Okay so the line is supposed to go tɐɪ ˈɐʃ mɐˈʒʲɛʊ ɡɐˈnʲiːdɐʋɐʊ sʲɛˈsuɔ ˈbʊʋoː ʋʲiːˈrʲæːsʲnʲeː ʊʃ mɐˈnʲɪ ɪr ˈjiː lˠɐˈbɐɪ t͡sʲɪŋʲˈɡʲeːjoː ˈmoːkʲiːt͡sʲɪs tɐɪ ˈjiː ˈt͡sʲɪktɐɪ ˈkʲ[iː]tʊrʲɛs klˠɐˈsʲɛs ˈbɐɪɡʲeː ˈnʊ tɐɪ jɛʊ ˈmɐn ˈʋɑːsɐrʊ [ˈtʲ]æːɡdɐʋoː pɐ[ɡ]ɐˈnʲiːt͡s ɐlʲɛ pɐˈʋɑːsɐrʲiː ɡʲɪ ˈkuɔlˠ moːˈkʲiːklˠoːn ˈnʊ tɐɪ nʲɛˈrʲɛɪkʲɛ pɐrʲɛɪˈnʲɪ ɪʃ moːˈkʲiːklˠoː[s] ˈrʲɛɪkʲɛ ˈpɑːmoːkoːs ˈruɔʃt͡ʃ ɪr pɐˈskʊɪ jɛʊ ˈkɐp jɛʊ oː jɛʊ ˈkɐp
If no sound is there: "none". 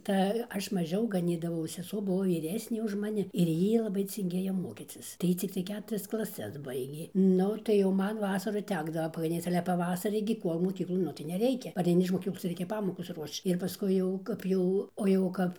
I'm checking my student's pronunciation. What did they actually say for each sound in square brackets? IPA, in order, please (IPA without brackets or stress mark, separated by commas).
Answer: æː, tʲ, ɡ, s